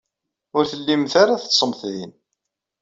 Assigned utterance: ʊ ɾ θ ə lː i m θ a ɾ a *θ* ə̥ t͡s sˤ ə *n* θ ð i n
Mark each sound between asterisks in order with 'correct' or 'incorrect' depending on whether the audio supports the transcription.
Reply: correct, incorrect: m

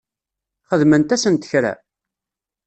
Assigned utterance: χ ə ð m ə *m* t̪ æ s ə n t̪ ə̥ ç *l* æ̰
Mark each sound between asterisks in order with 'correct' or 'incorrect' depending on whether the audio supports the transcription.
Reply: incorrect: n, incorrect: ɾ

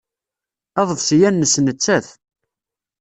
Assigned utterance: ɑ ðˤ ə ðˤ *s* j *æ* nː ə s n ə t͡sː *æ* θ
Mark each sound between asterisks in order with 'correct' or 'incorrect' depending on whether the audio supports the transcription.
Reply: correct, correct, correct

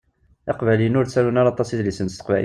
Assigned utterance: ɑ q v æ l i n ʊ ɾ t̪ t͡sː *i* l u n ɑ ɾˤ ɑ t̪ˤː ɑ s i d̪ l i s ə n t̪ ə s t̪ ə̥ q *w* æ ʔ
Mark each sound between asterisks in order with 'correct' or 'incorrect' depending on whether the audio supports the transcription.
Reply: incorrect: æ, incorrect: v

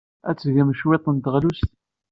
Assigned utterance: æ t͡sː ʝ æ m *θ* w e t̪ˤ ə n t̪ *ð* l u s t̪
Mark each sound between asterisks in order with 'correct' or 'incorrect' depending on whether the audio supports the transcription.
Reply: incorrect: ʃ, incorrect: ʁ

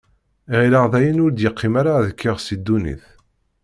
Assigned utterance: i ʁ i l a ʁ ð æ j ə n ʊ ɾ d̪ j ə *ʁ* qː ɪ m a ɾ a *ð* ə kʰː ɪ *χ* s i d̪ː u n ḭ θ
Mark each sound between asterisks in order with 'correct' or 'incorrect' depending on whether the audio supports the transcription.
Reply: incorrect: none, correct, incorrect: ʁ

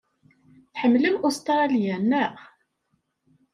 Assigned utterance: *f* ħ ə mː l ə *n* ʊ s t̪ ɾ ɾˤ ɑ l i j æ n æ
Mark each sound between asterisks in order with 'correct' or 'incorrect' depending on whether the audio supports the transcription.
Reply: incorrect: θ, incorrect: m

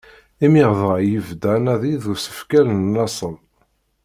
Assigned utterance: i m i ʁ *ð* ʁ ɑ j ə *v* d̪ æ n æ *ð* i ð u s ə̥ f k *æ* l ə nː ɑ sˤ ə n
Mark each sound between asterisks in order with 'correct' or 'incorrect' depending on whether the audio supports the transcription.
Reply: correct, correct, correct, correct

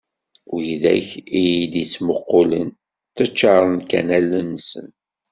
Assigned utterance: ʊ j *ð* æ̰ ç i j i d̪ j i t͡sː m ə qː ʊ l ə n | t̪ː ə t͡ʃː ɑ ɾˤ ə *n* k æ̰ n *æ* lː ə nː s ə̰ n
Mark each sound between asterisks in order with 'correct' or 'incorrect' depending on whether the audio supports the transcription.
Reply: correct, correct, correct

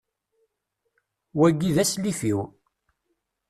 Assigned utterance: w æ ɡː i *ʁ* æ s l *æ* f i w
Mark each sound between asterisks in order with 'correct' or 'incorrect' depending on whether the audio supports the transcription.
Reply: incorrect: ð, incorrect: i

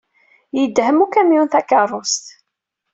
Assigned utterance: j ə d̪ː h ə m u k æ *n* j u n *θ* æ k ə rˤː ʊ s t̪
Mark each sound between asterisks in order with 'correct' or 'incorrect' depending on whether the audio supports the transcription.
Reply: incorrect: m, correct

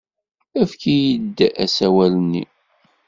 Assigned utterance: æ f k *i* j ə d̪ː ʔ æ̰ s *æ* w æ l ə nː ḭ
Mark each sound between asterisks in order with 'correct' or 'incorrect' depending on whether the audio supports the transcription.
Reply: correct, correct

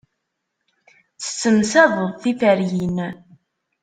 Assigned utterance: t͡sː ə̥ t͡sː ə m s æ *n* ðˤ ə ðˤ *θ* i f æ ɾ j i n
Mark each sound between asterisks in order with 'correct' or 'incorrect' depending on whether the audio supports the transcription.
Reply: incorrect: none, correct

